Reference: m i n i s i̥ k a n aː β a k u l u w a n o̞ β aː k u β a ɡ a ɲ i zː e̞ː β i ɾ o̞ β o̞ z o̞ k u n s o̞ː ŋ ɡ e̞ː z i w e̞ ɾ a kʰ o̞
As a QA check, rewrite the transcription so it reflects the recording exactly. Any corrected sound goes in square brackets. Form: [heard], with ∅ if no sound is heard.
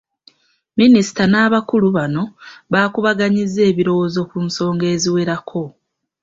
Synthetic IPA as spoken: m i n i s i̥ [t] a n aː β a k u l u [β] a n o̞ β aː k u β a ɡ a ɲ i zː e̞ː β i ɾ o̞ [w] o̞ z o̞ k u n s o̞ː ŋ ɡ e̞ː z i w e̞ ɾ a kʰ o̞